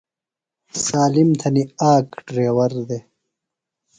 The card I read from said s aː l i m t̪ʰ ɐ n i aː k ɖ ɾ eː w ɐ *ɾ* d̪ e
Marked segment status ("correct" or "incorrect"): correct